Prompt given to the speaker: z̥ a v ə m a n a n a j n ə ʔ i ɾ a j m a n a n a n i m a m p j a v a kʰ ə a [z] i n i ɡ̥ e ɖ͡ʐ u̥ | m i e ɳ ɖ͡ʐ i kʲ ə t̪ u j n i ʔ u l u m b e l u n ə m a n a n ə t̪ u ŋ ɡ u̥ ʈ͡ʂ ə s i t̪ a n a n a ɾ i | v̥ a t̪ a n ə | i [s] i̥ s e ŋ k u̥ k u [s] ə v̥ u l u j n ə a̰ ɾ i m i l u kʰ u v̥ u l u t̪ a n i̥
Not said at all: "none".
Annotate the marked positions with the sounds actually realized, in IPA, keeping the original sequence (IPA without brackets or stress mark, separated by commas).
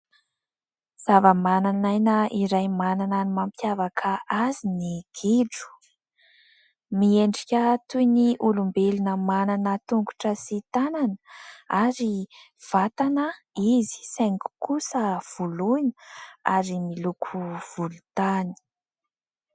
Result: z, z, s